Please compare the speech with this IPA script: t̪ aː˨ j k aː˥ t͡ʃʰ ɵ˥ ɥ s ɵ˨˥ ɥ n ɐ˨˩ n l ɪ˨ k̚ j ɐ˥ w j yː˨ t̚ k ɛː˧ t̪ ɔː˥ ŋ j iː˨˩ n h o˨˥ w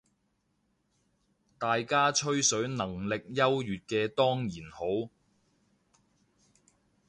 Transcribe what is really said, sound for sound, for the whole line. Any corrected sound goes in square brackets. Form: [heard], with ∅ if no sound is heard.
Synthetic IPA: t̪ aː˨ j k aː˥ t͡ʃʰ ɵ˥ ɥ s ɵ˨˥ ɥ n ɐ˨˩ [ŋ] l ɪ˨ k̚ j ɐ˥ w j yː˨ t̚ k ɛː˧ t̪ ɔː˥ ŋ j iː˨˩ n h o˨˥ w